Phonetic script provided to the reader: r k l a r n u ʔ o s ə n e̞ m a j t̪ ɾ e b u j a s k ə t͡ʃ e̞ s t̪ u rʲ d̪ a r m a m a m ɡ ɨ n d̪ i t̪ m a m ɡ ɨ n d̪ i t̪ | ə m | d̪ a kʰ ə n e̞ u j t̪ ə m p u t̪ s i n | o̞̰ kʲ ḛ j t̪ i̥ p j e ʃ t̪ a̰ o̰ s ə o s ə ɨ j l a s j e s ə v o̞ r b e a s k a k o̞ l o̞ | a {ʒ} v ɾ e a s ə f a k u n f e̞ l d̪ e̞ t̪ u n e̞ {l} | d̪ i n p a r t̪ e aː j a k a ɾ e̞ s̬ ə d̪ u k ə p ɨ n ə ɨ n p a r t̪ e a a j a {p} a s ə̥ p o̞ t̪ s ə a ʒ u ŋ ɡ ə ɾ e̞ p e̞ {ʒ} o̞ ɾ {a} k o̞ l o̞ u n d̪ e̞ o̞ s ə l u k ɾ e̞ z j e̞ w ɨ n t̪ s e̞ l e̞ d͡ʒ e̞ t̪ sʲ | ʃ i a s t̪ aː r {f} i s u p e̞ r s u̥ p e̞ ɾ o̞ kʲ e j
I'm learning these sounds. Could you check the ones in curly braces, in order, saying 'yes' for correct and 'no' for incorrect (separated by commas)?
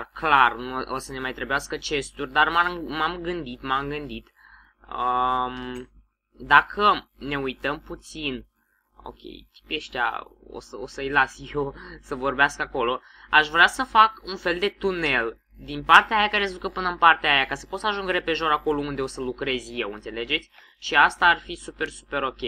no, yes, no, yes, yes, yes